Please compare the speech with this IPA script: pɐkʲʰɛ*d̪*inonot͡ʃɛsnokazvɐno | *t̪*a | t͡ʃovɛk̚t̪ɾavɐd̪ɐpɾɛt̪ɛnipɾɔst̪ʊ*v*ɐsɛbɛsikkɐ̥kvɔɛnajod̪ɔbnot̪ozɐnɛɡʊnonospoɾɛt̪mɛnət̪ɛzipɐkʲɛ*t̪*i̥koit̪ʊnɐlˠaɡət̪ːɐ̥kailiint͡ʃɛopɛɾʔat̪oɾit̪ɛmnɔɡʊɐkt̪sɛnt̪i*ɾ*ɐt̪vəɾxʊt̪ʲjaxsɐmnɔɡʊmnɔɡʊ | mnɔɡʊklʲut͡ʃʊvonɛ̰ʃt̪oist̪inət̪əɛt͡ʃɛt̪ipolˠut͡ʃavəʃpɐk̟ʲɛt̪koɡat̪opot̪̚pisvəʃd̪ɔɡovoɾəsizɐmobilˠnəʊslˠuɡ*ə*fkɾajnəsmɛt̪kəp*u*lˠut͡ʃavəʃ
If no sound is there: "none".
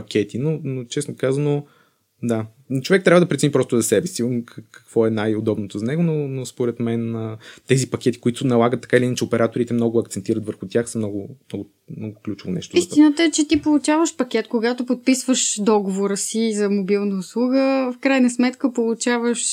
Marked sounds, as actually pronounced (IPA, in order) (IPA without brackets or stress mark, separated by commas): t̪, d̪, z, t̪, ɾ, ə, o